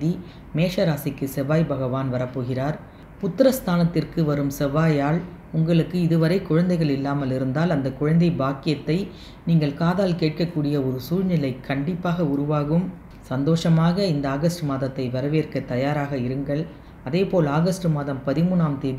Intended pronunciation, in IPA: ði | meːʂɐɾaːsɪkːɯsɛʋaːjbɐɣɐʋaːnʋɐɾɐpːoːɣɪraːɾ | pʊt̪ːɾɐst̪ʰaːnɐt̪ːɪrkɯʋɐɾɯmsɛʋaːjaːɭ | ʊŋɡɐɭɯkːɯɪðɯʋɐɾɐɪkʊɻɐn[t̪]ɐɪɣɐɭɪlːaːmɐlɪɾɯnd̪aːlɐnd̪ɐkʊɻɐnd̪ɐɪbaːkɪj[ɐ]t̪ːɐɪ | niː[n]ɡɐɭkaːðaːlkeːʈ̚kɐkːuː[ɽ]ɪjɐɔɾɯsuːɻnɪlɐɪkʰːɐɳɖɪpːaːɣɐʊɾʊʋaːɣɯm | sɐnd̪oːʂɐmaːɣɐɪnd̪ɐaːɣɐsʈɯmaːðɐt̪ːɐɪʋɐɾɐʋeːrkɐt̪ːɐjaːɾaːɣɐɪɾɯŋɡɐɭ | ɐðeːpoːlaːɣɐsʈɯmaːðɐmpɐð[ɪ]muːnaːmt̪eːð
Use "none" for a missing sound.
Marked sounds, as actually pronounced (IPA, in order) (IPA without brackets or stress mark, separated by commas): d̪, ɐ, ŋ, ɽ, ɪ